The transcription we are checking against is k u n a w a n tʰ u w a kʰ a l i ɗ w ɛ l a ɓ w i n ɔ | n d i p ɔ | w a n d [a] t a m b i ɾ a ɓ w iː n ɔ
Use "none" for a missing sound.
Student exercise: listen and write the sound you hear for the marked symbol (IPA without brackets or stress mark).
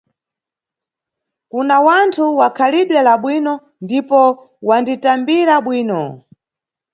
i